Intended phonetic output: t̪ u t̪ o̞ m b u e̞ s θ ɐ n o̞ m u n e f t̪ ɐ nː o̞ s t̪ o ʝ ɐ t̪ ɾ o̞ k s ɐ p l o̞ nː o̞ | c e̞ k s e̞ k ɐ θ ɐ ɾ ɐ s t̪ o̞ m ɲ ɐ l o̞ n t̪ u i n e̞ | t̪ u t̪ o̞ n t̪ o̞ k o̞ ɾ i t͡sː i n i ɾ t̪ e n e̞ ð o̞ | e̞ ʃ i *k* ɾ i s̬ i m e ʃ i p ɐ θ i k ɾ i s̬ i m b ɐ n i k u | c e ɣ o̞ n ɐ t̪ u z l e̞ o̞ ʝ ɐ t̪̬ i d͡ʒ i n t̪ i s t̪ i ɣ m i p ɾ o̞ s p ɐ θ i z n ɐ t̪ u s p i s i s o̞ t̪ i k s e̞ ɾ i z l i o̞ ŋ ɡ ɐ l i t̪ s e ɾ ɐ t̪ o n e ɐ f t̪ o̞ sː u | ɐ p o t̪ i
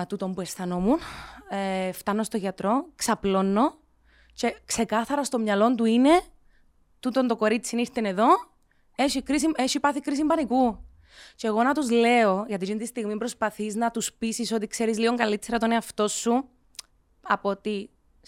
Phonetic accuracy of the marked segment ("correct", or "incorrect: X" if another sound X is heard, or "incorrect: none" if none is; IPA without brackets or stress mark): correct